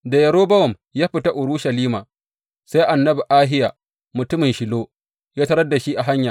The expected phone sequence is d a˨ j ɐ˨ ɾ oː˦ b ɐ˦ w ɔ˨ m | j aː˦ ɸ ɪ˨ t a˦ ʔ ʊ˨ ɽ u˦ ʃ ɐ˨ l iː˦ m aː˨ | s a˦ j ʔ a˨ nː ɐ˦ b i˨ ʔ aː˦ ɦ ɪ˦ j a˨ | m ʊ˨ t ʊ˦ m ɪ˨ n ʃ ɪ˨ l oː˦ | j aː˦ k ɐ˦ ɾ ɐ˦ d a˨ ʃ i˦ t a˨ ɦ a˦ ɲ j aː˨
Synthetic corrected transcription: d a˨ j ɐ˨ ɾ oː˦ b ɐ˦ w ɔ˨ m | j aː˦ ɸ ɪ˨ t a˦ ʔ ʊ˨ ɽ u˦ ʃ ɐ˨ l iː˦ m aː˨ | s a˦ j ʔ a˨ nː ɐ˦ b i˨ ʔ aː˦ ɦ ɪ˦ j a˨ | m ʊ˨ t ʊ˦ m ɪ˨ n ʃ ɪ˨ l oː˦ | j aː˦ t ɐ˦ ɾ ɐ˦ d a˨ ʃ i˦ ʔ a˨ ɦ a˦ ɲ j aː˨